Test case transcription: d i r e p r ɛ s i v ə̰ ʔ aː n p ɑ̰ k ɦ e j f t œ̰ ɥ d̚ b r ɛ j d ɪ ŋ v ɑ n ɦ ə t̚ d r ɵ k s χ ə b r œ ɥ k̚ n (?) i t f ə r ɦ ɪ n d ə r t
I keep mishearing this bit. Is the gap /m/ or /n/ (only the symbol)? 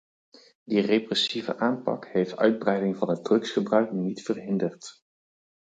n